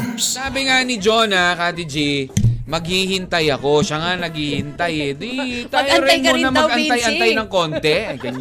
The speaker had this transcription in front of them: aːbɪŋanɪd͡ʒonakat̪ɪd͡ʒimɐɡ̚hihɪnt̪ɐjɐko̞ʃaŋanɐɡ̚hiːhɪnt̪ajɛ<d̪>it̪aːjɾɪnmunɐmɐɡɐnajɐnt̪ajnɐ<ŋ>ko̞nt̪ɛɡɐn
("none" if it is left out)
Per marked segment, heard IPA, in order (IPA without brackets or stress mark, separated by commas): d̪, ŋ